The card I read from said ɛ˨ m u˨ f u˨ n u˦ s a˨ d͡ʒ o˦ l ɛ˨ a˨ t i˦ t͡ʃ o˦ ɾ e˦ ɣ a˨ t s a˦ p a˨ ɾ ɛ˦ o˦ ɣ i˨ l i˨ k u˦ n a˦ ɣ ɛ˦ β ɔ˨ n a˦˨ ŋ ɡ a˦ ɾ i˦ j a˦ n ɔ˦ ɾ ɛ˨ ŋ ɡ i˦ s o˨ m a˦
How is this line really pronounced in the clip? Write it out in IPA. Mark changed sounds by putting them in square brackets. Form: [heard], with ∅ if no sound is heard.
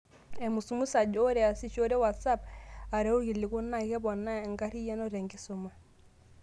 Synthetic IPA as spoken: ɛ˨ m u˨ [s] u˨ [m] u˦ s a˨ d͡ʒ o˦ [ɾ] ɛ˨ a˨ [s] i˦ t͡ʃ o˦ ɾ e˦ [w] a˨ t s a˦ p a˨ ɾ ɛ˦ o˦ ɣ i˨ l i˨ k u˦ n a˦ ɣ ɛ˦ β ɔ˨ n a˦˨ ŋ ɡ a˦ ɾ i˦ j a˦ n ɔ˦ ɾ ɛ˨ ŋ ɡ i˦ s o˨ m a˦